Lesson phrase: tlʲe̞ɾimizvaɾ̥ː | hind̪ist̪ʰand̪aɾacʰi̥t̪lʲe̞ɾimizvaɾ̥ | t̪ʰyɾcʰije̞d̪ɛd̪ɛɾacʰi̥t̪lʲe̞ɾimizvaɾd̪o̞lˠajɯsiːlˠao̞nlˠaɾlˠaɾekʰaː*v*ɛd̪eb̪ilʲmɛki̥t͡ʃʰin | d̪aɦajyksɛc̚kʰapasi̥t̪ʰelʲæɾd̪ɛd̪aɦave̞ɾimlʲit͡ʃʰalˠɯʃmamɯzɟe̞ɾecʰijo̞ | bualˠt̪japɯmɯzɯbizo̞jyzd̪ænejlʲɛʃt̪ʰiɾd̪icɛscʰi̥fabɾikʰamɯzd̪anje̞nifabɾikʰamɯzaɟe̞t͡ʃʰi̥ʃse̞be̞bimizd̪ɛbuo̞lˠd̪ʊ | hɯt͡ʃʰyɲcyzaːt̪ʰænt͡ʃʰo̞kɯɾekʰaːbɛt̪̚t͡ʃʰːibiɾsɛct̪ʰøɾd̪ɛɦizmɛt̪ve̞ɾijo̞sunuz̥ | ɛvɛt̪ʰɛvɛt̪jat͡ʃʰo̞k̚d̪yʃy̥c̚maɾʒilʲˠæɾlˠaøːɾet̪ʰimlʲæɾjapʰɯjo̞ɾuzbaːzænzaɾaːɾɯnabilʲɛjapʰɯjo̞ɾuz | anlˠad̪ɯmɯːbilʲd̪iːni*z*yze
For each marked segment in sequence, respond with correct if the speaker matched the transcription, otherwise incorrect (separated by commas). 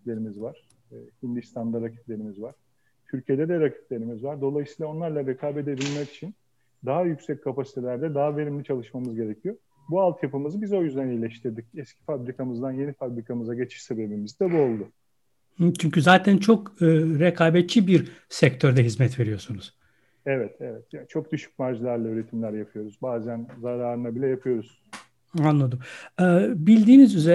incorrect, correct